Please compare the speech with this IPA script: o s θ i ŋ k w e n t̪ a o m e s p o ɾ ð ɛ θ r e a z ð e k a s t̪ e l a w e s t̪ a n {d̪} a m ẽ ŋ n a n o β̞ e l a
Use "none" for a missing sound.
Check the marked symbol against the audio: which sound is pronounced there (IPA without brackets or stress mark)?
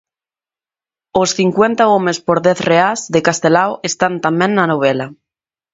t̪